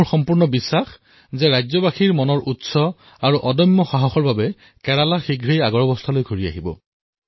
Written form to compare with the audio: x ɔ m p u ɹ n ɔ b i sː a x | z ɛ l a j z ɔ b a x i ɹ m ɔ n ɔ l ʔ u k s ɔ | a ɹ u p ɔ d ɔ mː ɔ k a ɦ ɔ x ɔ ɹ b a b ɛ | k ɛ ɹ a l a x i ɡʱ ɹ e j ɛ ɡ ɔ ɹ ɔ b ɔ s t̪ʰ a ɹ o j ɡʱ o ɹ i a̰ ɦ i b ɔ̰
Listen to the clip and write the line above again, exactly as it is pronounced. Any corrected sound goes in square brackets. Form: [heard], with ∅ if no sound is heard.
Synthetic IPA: x ɔ m p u ɹ n ɔ b i sː a x | z ɛ [ɹ] a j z ɔ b a x i ɹ m ɔ n ɔ [ɹ] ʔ u [t] s ɔ | a ɹ u [ʔ] ɔ d ɔ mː ɔ [x] a ɦ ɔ x ɔ ɹ b a b ɛ | k ɛ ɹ a l a x i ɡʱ ɹ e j [a] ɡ ɔ ɹ ɔ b ɔ s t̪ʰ a [l] o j ɡʱ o ɹ i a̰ ɦ i b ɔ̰